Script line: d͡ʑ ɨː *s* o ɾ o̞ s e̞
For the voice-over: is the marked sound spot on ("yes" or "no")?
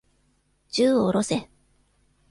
no